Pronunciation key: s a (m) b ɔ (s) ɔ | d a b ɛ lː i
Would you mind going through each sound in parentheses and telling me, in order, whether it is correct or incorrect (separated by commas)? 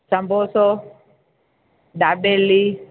correct, correct